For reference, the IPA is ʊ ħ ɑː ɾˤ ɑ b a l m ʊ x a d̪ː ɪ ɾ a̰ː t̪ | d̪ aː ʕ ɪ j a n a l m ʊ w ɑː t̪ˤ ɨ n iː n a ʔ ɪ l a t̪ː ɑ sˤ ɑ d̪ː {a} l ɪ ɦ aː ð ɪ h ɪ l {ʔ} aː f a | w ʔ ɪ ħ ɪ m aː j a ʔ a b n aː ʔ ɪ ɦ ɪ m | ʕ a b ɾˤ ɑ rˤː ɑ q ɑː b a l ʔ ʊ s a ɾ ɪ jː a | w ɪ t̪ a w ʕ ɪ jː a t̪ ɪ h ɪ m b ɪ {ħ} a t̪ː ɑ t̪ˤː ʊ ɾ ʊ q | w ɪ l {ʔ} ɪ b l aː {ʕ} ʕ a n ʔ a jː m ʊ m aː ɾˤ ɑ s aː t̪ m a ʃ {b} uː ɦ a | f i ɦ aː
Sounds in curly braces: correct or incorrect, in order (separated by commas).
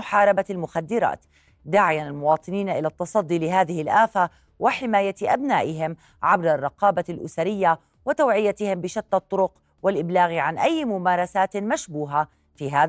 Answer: incorrect, correct, incorrect, correct, incorrect, correct